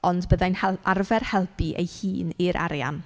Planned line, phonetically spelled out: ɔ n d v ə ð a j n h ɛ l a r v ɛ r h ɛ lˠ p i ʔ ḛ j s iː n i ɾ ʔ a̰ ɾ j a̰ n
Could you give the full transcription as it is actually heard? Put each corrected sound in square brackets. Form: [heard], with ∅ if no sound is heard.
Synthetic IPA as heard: ɔ n d [b] ə ð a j n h ɛ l a r v ɛ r h ɛ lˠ p i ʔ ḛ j [h] iː n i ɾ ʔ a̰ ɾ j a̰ n